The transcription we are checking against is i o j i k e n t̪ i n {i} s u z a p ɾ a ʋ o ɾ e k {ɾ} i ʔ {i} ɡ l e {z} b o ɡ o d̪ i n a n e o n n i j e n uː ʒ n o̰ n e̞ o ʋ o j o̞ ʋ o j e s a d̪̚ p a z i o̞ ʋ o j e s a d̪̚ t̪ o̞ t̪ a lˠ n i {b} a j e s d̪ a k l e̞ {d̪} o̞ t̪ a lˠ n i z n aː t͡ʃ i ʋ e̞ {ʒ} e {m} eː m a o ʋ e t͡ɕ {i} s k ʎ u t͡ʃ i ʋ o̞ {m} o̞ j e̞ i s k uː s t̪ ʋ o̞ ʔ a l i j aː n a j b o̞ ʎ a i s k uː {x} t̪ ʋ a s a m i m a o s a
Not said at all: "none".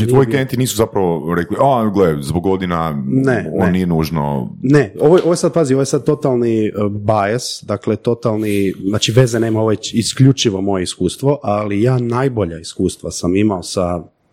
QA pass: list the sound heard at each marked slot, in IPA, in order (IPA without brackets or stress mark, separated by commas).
iː, l, a, z, b, t̪, z, n, i, m, s